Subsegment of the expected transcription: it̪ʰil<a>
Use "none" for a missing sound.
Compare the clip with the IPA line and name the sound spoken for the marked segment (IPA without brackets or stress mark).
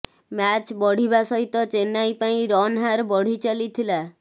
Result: a